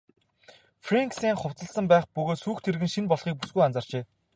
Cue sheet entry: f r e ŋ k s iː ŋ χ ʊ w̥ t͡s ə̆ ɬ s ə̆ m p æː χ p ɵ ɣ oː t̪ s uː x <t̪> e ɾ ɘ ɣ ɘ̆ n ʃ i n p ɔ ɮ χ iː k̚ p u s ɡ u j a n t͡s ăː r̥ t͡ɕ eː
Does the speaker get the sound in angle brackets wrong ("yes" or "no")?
yes